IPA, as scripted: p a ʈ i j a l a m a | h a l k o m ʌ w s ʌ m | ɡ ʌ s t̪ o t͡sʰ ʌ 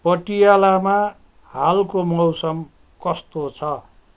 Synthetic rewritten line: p ʌ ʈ i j a l a m a | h a l k o m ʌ w s ʌ m | k ʌ s t̪ o t͡sʰ ʌ